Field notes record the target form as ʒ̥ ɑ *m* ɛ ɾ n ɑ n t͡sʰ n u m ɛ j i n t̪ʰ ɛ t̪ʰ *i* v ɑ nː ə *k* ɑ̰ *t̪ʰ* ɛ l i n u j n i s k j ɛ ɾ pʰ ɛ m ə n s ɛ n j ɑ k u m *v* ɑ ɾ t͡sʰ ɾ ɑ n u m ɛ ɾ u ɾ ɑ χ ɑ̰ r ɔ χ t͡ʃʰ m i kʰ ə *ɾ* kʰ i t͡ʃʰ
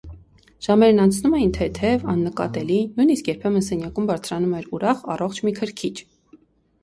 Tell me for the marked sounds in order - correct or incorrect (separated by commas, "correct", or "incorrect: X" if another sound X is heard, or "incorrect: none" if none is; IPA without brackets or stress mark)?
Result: correct, incorrect: ɛ, correct, incorrect: t̪, incorrect: b, correct